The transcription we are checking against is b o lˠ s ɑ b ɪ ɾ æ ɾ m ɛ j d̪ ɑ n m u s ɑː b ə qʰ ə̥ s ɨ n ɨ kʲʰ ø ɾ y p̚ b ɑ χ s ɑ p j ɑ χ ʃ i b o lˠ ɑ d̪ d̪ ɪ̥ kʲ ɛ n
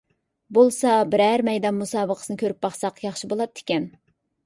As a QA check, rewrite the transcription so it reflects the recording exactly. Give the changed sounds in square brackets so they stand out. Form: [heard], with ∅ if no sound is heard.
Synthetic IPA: b o lˠ s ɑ b ɪ ɾ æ ɾ m ɛ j d̪ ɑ n m u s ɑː b ə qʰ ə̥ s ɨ n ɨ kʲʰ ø ɾ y p̚ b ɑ χ s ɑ [q] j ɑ χ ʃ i b o lˠ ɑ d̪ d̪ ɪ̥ kʲ ɛ n